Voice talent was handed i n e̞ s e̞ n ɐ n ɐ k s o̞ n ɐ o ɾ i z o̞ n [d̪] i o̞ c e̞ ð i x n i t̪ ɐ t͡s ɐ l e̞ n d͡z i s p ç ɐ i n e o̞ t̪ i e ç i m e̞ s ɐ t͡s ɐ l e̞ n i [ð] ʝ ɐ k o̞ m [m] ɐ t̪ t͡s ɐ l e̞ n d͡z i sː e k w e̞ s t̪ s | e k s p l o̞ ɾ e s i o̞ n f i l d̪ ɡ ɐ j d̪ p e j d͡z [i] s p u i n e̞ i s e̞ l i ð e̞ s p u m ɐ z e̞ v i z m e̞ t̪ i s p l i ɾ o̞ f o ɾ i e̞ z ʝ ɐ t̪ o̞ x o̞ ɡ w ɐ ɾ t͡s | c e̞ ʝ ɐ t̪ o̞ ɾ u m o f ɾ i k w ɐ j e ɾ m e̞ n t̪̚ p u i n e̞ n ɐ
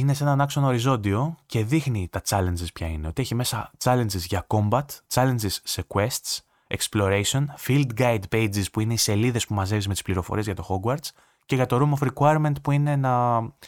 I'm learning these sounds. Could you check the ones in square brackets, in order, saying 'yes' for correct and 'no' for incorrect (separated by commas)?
yes, no, no, yes